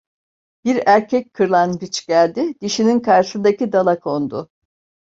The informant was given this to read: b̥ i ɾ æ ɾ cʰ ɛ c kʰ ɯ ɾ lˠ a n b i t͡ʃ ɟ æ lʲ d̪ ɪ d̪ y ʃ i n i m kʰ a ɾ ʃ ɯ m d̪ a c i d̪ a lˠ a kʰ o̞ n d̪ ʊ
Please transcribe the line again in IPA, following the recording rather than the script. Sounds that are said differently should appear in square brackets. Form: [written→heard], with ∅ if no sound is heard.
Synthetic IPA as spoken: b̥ i ɾ æ ɾ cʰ ɛ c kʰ ɯ ɾ lˠ a n b i t͡ʃ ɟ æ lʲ d̪ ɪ d̪ [y→i] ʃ i n i [m→n] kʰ a ɾ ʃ ɯ [m→n] d̪ a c i d̪ a lˠ a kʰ o̞ n d̪ ʊ